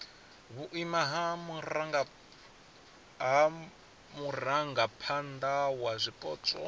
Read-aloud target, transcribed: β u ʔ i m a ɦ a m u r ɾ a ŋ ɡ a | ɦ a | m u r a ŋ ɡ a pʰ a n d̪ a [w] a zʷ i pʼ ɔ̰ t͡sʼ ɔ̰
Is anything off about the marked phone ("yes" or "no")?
no